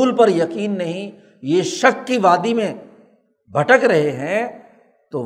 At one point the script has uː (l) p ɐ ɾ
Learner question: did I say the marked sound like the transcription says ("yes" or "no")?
yes